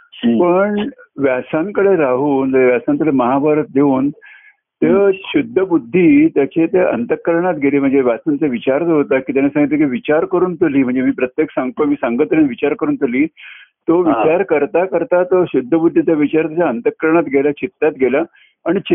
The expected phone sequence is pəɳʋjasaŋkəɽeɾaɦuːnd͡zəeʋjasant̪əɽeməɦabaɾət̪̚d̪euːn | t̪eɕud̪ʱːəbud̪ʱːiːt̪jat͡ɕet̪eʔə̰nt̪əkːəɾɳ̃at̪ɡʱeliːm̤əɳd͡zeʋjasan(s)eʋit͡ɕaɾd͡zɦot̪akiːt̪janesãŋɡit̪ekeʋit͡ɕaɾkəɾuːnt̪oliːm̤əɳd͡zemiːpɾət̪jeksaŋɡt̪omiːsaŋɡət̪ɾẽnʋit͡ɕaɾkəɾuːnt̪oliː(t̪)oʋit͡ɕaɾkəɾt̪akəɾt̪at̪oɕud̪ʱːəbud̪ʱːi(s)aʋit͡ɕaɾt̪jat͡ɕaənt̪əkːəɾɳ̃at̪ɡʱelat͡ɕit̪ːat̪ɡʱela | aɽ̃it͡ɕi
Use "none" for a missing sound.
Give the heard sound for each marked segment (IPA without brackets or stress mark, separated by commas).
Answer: t͡s, t̪, t͡s